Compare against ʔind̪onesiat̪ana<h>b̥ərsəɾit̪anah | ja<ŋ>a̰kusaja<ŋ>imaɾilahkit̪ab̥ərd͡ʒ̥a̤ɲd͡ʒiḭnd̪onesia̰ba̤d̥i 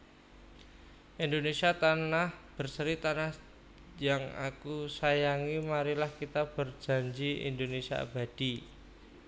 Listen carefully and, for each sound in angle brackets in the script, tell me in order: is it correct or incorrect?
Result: correct, correct, correct

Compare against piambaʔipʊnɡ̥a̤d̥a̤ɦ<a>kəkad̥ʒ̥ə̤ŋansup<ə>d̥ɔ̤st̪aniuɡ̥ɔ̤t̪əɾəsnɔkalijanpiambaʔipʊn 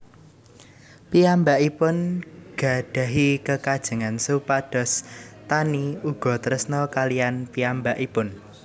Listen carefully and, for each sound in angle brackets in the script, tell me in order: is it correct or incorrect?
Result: incorrect: i, incorrect: a

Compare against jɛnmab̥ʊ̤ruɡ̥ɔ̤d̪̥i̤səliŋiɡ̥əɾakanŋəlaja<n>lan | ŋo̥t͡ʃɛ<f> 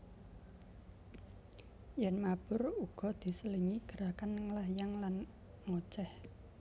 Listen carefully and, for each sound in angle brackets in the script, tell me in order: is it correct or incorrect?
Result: incorrect: ŋ, incorrect: h

